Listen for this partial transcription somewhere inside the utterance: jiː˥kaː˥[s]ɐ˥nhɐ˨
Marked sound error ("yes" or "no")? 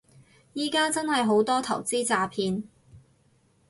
yes